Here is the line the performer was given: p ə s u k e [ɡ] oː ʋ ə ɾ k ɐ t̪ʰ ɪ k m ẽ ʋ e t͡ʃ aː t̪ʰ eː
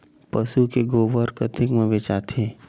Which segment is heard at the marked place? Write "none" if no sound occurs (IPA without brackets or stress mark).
ɡ